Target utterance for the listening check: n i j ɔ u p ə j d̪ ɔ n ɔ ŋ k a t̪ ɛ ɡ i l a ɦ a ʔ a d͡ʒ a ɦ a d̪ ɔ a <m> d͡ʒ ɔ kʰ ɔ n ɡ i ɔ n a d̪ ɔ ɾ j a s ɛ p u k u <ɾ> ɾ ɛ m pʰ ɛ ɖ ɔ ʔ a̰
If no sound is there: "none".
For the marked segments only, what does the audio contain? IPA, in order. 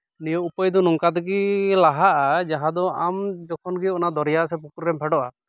m, ɾ

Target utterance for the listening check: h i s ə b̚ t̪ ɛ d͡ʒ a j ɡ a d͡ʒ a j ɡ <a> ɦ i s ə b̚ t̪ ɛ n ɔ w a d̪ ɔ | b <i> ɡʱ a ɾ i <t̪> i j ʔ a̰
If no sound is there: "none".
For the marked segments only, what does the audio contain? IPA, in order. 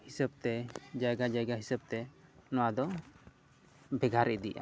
a, ɛ, d̪

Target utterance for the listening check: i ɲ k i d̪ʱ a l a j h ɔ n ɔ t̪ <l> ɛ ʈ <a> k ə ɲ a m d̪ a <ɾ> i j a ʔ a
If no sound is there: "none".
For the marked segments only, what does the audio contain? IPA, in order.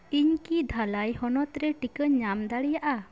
ɾ, i, ɽ

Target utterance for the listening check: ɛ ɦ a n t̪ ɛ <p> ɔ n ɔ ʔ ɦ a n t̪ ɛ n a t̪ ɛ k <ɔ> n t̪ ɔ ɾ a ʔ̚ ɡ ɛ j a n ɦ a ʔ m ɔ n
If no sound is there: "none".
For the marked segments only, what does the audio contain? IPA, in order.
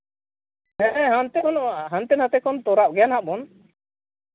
k, ɔ

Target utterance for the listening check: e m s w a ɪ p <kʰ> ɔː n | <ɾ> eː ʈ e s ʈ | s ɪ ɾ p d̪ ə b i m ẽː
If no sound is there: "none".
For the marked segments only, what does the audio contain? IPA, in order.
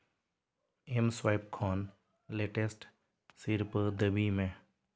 kʰ, l

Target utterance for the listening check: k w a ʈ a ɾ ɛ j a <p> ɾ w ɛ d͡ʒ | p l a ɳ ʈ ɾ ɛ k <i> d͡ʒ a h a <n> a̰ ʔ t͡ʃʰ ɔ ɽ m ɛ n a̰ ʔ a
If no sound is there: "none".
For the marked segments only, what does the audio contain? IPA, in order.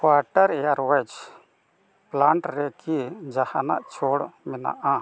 none, i, n

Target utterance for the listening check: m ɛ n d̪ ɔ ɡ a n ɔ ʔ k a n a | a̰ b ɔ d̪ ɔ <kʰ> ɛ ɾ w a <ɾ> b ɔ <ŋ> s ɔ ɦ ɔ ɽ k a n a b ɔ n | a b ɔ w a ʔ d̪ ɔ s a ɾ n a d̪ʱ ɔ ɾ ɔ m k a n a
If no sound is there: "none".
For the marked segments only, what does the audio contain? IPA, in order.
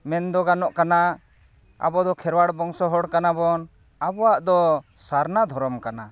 kʰ, ɽ, ŋ

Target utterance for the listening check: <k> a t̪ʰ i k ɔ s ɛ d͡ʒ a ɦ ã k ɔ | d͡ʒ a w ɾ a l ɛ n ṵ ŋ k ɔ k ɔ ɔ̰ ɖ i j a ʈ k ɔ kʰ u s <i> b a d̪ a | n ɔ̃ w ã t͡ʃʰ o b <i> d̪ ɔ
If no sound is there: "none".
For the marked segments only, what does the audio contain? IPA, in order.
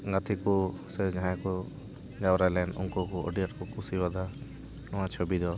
ɡ, i, i

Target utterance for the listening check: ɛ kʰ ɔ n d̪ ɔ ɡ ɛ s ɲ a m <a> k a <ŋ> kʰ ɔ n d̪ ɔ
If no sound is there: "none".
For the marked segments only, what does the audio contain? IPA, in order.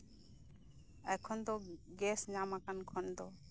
a, n

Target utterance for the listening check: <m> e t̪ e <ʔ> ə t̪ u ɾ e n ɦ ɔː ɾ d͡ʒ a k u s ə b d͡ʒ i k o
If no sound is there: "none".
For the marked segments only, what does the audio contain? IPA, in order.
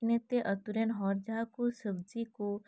n, ʔ

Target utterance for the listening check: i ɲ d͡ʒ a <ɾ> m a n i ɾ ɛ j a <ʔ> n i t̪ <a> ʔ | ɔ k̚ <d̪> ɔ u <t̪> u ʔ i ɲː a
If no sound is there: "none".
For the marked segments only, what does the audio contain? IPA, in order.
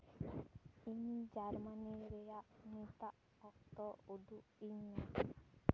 ɾ, ʔ, a, t̪, d̪

